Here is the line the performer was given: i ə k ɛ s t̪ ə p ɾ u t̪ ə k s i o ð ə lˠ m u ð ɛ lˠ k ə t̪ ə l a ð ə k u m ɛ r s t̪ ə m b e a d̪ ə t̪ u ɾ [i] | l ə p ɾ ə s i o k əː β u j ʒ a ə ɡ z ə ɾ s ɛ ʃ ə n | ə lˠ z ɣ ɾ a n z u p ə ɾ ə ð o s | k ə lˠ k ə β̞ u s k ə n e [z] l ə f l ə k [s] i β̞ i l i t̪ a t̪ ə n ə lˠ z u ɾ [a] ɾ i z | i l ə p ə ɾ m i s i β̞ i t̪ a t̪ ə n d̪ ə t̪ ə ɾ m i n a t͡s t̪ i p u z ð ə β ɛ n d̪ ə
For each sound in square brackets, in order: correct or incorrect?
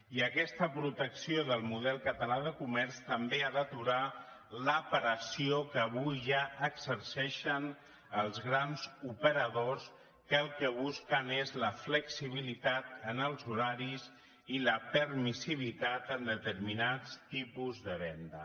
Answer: incorrect, correct, correct, correct

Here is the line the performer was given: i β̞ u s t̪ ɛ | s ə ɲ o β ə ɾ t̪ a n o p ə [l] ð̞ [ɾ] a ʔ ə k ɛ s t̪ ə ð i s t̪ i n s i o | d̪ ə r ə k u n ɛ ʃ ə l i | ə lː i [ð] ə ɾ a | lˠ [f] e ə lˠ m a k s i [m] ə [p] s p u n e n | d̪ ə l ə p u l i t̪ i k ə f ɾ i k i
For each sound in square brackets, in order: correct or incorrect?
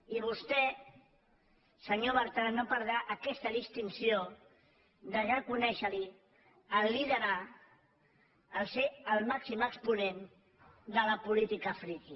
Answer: incorrect, correct, correct, incorrect, correct, incorrect

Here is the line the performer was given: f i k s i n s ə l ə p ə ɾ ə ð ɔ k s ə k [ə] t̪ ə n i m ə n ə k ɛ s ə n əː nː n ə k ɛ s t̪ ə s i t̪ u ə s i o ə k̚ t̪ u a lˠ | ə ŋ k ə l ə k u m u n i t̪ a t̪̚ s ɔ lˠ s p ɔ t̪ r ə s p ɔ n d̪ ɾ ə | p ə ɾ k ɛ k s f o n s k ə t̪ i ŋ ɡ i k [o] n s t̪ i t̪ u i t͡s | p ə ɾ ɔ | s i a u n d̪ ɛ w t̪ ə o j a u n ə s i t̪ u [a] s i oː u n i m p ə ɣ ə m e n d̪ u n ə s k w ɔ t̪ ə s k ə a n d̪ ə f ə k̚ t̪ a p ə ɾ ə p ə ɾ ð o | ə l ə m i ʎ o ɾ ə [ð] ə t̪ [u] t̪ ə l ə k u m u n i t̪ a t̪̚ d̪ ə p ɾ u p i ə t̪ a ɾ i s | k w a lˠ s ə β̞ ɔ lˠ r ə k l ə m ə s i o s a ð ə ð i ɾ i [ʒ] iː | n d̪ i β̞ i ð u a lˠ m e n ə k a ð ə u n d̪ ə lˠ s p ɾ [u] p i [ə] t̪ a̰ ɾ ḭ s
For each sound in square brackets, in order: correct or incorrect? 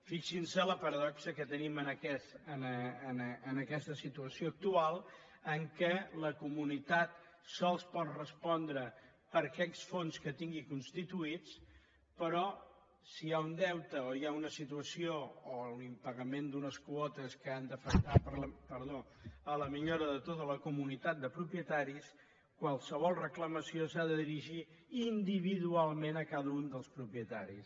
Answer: correct, incorrect, incorrect, correct, incorrect, correct, correct, correct

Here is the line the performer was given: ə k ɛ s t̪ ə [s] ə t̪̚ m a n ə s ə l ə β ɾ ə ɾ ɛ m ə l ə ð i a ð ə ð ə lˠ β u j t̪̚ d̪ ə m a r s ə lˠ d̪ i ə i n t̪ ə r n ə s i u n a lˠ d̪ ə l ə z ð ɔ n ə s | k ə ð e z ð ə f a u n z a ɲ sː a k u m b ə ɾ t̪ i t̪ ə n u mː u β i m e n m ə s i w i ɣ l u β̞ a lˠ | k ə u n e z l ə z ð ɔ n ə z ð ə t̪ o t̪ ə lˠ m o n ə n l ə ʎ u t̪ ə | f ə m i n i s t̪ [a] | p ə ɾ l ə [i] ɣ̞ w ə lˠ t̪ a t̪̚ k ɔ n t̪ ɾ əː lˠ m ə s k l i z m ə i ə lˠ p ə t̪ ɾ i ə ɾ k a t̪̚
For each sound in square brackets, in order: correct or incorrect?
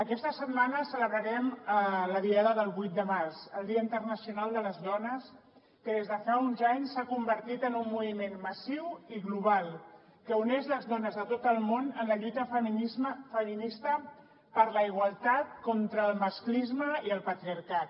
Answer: correct, incorrect, correct

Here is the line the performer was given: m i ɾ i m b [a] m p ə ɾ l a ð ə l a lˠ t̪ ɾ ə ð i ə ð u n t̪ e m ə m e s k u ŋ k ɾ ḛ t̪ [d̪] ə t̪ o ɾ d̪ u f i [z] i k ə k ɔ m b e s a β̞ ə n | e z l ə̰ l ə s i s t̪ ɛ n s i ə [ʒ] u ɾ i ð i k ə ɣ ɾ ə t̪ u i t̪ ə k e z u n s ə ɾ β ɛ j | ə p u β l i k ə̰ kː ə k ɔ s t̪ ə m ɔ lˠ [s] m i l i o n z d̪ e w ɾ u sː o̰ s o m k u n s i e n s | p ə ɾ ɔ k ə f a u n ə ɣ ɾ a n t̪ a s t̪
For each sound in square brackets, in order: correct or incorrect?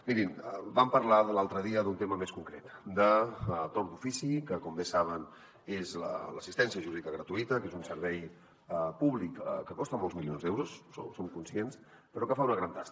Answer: correct, correct, incorrect, correct, incorrect

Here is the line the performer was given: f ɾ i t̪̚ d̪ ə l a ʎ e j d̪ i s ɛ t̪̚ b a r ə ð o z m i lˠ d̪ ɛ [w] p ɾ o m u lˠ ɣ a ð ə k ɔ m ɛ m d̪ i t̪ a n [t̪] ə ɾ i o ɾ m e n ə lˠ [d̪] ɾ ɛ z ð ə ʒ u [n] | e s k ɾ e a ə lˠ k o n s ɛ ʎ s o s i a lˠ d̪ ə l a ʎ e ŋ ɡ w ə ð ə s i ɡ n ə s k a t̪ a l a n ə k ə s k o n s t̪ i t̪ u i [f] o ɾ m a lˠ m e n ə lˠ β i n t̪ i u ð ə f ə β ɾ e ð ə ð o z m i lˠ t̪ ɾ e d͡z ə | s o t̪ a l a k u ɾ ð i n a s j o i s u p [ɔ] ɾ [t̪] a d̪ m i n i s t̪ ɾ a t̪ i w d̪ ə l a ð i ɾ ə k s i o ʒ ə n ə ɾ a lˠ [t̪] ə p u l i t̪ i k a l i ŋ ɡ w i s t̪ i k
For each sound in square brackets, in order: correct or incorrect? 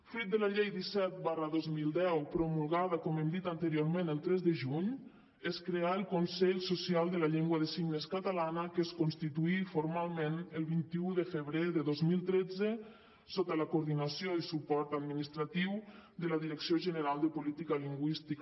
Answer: correct, correct, incorrect, incorrect, correct, correct, correct, incorrect

